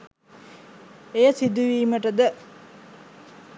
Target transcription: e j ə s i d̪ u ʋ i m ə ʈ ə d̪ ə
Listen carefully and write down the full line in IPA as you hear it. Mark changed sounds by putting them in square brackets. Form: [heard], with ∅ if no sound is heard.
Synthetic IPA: e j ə s i d̪ u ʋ [iː] m ə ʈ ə d̪ ə